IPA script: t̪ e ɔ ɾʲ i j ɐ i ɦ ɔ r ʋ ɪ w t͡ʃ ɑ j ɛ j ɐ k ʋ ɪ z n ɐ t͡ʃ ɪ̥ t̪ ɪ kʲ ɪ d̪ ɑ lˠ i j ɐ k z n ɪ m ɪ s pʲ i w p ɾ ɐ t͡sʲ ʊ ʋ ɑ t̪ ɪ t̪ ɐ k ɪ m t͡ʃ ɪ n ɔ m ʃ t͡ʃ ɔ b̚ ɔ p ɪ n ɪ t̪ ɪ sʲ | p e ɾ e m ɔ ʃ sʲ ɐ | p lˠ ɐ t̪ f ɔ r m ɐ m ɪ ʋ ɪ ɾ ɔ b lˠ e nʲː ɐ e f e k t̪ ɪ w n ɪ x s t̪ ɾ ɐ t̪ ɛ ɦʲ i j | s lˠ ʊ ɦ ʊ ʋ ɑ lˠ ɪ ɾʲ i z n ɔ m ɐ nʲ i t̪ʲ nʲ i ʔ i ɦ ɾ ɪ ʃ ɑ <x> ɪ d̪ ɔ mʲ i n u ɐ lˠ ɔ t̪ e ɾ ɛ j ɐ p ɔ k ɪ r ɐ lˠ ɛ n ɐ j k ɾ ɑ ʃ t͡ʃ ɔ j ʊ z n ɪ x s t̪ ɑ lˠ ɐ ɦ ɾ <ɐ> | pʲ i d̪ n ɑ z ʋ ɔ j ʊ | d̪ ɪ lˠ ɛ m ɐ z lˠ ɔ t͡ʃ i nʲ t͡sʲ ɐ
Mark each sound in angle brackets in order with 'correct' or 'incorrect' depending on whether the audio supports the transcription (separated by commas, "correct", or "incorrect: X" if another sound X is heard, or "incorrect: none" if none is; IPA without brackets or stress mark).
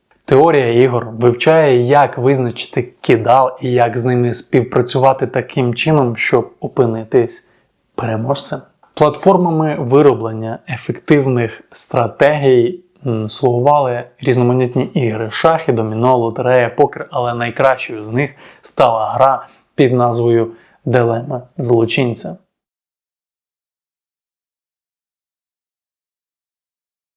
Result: correct, incorrect: ɑ